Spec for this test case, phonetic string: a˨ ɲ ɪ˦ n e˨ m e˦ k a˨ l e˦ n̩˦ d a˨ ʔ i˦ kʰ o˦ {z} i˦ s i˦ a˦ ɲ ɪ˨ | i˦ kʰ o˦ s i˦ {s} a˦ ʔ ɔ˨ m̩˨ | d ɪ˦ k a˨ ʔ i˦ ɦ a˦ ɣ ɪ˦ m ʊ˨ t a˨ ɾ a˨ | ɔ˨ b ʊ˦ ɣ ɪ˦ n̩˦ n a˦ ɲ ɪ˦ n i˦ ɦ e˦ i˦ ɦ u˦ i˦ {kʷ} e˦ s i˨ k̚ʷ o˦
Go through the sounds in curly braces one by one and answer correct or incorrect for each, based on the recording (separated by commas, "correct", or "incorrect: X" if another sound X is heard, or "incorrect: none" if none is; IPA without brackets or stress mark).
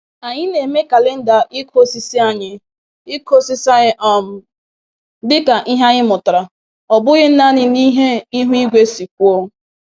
incorrect: s, correct, incorrect: ɡʷ